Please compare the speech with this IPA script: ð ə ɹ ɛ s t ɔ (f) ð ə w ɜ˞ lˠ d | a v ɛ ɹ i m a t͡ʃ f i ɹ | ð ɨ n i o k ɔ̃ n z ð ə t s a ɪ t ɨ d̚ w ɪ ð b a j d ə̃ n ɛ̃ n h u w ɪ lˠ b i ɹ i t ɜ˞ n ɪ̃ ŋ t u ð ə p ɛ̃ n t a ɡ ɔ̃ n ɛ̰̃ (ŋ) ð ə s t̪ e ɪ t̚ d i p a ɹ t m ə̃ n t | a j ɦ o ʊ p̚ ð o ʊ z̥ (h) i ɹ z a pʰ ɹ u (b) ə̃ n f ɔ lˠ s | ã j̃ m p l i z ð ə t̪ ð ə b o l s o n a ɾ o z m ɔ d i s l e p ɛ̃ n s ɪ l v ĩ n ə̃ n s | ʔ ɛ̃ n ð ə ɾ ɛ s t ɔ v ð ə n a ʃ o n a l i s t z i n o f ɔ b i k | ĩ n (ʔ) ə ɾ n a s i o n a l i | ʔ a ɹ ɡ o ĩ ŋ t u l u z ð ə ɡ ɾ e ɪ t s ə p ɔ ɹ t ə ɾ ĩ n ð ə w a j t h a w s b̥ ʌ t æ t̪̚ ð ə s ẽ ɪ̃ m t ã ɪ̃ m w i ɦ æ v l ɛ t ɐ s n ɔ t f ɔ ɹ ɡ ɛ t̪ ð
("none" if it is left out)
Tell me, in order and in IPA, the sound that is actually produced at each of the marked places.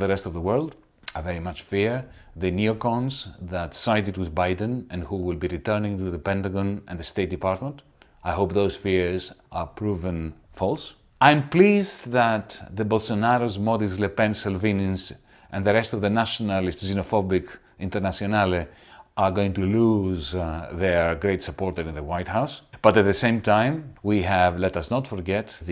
v, n, f, v, t

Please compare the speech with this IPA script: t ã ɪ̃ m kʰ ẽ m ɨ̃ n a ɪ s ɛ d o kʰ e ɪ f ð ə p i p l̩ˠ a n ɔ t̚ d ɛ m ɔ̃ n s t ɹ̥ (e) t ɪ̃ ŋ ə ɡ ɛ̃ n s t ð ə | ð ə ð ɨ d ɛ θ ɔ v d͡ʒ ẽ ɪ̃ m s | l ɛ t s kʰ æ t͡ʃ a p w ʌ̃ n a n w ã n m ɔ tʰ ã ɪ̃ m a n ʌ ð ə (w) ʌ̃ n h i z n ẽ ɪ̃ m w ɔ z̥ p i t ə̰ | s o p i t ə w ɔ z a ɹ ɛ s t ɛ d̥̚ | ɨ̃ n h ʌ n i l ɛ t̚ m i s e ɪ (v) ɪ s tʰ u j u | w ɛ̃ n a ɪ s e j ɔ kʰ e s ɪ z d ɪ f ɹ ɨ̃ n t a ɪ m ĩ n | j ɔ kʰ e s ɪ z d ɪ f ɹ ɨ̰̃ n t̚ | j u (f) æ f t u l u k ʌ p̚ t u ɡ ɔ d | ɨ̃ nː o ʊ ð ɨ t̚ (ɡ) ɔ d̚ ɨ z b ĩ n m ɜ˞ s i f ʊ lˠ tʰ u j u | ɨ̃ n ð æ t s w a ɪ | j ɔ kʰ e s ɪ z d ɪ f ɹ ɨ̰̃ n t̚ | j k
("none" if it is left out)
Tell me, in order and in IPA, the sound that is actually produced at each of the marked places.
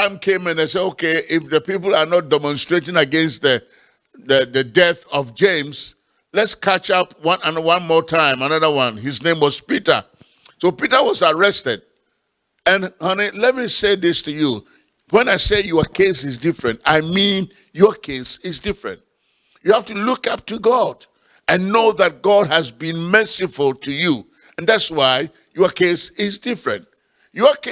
e, w, ð, h, ɡ

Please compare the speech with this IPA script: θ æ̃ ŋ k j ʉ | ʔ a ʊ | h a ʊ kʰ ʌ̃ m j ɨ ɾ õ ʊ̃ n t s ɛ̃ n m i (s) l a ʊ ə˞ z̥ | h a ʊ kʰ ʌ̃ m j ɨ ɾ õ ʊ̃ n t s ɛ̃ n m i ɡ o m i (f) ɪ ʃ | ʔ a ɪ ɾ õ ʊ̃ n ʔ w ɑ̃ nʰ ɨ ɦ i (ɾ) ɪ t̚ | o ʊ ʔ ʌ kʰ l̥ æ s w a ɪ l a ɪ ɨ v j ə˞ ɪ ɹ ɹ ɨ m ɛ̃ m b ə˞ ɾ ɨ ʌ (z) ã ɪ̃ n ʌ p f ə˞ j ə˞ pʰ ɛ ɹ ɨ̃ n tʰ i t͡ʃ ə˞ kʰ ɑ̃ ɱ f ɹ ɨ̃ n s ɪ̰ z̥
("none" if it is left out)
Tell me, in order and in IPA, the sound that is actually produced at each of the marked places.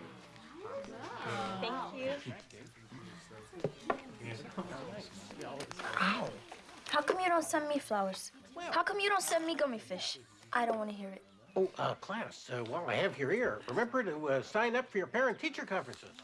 f, f, ɹ, s

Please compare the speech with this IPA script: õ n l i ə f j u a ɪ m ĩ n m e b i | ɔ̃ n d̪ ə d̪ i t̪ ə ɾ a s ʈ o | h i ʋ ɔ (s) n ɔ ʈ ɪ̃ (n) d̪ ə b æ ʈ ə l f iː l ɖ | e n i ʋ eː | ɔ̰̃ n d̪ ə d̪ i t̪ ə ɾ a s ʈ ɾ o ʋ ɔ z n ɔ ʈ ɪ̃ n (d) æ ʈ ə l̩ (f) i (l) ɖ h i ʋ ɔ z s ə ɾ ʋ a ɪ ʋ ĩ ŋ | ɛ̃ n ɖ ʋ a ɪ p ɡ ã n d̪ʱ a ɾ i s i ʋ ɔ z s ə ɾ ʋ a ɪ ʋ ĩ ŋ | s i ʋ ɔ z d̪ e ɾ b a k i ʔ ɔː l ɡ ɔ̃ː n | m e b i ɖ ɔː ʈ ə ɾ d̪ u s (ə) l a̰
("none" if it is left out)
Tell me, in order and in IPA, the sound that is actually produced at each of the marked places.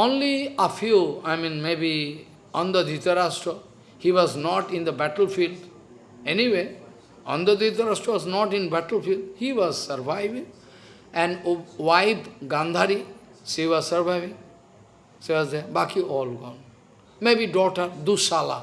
z, n, b, f, l, a

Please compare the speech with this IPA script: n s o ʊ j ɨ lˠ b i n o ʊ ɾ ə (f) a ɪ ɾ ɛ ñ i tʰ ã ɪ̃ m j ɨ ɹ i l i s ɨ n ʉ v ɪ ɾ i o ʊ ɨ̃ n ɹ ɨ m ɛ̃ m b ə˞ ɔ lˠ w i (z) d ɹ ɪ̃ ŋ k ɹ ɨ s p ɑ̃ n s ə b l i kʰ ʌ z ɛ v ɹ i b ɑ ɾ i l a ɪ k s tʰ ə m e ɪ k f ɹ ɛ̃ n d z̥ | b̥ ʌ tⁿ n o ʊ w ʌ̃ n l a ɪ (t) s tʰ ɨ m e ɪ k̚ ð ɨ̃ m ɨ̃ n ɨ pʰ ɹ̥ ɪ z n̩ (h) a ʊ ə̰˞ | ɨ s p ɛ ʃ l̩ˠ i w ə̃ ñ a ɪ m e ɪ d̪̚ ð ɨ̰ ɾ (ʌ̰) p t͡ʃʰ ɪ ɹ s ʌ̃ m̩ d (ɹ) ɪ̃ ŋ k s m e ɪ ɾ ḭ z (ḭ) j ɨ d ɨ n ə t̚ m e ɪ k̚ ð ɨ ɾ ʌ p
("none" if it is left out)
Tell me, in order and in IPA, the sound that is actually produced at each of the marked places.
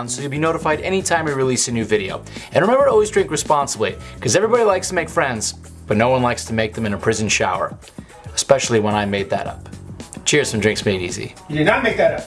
f, z, k, ʃ, ʌ̰, ɹ, ḭ

